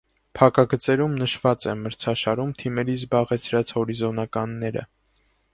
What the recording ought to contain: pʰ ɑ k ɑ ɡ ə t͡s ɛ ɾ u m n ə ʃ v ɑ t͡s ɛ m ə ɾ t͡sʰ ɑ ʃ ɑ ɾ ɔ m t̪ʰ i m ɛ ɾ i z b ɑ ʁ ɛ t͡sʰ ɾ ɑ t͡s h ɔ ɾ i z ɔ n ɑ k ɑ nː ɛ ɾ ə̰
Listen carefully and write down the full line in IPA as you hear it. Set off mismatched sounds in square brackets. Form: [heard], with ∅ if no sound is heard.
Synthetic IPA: pʰ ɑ k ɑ ɡ ə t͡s ɛ ɾ u m n ə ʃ v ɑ t͡s ɛ m ə ɾ t͡sʰ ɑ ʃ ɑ ɾ [u] m t̪ʰ i m ɛ ɾ i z b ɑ ʁ ɛ t͡sʰ ɾ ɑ t͡s h ɔ ɾ i z ɔ n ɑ k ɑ nː ɛ ɾ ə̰